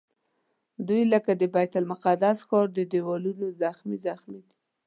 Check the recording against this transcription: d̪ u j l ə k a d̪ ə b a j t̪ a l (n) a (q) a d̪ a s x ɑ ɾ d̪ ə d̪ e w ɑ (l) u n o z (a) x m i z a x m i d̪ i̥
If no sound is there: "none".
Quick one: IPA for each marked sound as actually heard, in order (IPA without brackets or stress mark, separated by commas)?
m, q, l, a